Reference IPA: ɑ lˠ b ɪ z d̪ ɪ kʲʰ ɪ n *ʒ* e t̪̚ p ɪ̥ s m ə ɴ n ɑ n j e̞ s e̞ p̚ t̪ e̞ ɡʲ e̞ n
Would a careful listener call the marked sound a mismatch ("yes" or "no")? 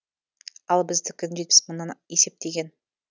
no